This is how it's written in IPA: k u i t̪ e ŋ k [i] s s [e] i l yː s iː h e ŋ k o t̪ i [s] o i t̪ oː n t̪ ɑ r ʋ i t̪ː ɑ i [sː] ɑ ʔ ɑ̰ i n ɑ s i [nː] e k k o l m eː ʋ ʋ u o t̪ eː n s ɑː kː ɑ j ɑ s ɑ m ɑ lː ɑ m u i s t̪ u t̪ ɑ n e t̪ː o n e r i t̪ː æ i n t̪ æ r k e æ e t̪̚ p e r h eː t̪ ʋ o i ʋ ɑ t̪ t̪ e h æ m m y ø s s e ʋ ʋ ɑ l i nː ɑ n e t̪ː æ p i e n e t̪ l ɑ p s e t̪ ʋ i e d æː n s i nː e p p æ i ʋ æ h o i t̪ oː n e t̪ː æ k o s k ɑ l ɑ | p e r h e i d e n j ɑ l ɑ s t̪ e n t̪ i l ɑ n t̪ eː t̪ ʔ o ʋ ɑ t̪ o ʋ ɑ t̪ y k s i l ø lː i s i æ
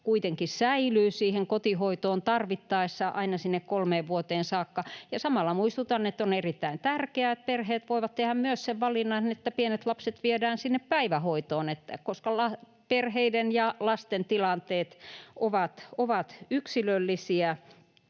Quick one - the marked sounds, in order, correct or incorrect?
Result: correct, incorrect, incorrect, correct, correct

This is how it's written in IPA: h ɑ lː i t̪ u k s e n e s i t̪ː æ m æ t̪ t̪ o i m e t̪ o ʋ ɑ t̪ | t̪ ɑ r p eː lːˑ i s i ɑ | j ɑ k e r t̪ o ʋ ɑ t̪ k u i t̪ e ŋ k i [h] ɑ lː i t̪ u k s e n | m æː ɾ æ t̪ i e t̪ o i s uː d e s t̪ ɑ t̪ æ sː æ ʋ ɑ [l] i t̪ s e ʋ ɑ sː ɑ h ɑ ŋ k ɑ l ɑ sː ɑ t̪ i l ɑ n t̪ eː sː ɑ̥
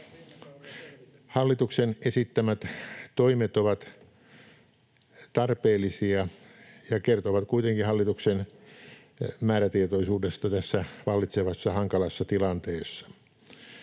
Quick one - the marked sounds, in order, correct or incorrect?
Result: correct, incorrect

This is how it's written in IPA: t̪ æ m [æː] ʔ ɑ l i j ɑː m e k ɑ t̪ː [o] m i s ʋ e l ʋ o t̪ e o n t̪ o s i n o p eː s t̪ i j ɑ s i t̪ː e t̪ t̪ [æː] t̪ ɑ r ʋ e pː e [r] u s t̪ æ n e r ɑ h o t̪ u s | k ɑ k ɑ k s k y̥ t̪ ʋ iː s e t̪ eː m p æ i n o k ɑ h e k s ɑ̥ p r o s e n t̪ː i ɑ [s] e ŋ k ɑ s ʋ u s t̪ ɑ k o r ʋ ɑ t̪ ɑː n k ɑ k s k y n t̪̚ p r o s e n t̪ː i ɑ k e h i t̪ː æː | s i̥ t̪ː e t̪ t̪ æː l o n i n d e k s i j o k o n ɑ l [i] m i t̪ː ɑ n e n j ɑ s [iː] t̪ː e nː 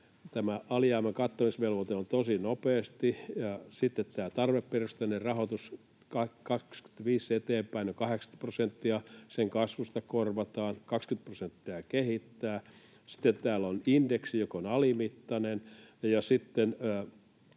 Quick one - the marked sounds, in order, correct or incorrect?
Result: incorrect, correct, correct, correct, correct, correct, incorrect

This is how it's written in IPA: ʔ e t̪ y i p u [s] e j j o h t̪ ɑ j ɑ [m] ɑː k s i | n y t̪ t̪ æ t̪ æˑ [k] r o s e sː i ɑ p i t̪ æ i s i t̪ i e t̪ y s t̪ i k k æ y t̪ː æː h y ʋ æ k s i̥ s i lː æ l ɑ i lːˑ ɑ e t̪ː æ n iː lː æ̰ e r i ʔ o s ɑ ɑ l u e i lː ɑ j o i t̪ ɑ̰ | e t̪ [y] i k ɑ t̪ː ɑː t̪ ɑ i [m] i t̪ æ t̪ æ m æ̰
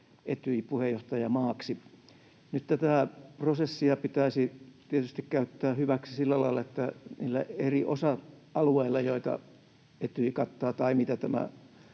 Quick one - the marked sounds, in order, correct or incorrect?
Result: incorrect, correct, incorrect, correct, correct

